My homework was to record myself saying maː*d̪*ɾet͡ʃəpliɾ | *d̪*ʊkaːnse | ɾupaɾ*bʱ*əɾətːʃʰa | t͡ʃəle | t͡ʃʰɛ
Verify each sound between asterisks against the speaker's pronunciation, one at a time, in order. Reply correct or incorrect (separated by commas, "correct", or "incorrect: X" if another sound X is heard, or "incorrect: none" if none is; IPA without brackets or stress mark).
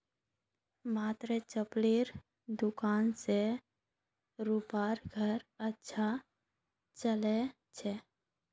incorrect: t̪, correct, incorrect: ɡʱ